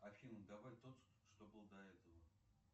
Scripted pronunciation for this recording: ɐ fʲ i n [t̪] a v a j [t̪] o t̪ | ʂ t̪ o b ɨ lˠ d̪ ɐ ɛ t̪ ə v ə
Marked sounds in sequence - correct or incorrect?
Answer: incorrect: d̪, correct

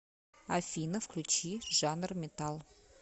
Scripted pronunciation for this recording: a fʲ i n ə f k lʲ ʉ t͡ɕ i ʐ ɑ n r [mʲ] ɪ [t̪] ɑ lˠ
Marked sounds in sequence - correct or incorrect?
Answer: correct, correct

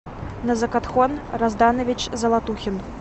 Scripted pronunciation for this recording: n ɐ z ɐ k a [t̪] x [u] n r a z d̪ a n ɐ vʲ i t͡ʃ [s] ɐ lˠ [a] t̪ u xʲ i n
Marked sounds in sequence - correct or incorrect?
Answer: correct, incorrect: ɔ, incorrect: z, correct

